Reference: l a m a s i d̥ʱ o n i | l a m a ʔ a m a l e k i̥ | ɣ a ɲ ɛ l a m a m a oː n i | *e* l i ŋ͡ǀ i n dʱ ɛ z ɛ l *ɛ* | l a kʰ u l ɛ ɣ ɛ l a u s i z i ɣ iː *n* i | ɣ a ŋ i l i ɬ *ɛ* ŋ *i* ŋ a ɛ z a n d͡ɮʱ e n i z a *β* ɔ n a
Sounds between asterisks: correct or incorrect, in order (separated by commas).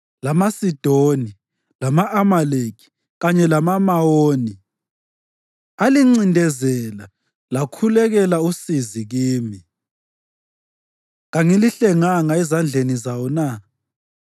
incorrect, incorrect, incorrect, correct, incorrect, incorrect